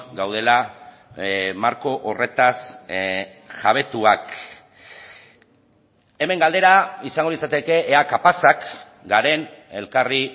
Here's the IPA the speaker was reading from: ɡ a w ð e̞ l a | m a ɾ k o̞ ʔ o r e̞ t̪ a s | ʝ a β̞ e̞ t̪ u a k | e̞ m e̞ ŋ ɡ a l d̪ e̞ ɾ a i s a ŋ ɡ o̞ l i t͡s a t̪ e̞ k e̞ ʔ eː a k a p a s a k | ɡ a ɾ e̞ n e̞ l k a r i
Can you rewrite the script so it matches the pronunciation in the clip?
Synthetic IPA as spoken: ɡ a w ð e̞ l a | m a ɾ k o̞ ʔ o r e̞ t̪ a s | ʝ a β̞ e̞ t̪ u a k | e̞ m e̞ ŋ ɡ a l d̪ e̞ ɾ a i s a ŋ ɡ o̞ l i t͡s a t̪ e̞ k e̞ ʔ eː a k a p a s a k | ɡ a ɾ e̞ n e̞ l k a r i